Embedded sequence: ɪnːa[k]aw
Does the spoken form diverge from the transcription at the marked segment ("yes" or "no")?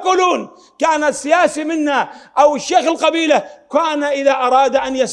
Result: yes